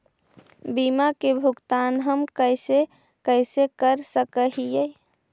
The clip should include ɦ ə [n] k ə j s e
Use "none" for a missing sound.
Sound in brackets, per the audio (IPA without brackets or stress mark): m